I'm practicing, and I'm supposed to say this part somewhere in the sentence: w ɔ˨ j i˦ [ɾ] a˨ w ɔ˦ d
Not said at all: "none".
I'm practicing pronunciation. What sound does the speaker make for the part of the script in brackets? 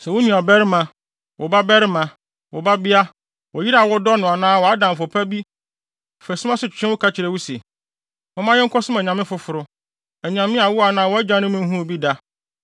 ɾ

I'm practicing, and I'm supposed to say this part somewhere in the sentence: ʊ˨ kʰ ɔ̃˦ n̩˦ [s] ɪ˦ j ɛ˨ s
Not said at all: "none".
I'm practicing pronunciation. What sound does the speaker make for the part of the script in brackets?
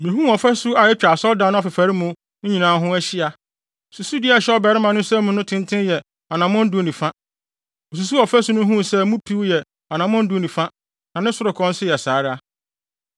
s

